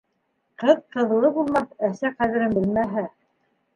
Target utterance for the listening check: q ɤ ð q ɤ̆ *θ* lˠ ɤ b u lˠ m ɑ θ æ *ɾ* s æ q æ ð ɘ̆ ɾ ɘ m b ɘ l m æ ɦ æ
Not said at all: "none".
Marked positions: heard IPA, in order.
ð, none

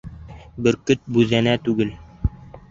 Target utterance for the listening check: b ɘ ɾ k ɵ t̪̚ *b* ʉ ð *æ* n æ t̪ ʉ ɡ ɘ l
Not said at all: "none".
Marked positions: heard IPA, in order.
b, æ

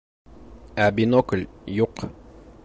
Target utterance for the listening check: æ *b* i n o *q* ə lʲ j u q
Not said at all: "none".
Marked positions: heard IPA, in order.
b, k

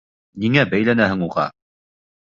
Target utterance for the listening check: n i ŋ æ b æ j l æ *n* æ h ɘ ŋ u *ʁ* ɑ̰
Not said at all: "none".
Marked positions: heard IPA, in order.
n, ʁ

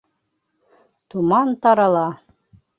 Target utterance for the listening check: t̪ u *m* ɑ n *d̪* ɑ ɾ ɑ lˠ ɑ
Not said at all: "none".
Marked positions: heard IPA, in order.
m, t̪

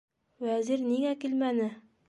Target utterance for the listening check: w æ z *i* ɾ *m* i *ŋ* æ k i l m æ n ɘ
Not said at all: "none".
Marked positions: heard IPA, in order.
i, n, ŋ

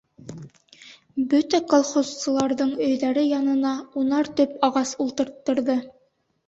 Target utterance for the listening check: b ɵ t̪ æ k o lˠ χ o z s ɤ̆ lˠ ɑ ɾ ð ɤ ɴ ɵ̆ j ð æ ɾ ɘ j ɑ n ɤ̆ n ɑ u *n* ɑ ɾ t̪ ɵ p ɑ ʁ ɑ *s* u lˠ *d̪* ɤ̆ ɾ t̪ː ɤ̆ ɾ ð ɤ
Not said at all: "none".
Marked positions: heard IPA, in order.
n, s, t̪

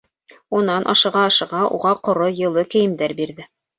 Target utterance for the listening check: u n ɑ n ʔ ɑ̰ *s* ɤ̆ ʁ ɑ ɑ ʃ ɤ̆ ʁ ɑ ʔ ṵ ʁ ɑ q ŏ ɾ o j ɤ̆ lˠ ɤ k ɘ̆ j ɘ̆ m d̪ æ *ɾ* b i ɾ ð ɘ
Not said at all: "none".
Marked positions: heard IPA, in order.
ʃ, ɾ

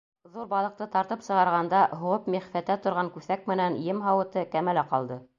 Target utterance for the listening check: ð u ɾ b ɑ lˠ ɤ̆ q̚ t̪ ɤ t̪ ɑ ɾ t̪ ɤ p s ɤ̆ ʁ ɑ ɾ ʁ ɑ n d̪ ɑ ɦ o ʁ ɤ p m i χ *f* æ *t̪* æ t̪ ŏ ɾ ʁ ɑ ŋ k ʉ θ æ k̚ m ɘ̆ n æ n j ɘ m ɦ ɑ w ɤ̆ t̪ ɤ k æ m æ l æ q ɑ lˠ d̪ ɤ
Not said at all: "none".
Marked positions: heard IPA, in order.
f, t̪

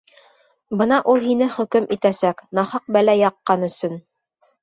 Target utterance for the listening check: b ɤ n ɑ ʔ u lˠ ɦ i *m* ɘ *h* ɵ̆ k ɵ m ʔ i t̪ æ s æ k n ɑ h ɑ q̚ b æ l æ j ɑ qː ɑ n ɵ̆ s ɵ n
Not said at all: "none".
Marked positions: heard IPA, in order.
n, χ

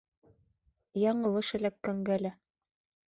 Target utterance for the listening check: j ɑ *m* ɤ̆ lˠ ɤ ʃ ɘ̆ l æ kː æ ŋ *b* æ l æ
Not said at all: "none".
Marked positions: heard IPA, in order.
ɴ, ɡ

